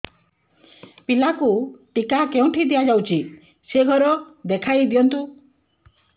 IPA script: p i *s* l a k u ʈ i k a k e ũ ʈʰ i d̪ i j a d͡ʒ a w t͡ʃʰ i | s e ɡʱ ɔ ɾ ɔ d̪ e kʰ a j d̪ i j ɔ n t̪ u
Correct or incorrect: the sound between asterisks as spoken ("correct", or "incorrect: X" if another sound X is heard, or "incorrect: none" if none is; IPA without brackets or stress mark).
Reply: incorrect: none